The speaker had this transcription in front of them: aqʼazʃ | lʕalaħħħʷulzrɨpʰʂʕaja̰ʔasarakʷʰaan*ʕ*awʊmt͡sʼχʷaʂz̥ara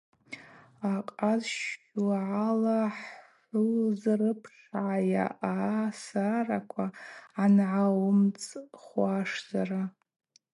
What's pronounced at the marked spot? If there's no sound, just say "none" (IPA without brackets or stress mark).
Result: ʕ